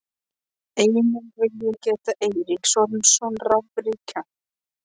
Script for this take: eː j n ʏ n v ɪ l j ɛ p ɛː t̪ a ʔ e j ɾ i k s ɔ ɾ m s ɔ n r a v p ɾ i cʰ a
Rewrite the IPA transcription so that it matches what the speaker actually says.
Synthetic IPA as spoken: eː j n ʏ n v ɪ l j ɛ c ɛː t̪ a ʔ e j ɾ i k s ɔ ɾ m s ɔ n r a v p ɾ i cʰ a